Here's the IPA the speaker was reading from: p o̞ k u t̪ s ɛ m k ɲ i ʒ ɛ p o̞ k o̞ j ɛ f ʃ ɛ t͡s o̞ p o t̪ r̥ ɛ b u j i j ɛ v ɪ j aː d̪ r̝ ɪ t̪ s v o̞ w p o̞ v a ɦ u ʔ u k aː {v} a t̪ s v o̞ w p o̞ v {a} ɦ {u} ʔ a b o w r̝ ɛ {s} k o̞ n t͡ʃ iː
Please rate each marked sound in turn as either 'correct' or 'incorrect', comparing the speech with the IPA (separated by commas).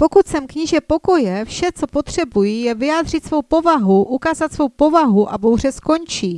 incorrect, correct, correct, correct